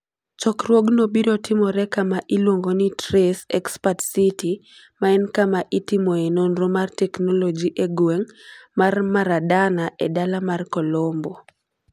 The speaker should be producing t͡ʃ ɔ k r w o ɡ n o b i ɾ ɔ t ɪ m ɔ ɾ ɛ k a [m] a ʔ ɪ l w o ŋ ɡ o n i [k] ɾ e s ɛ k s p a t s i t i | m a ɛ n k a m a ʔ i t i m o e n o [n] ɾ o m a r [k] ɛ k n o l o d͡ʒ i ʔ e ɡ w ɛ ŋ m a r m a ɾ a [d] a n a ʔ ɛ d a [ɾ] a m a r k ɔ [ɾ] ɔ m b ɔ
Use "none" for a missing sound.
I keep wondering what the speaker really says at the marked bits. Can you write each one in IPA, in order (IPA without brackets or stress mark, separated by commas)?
m, t, n, t, d, l, l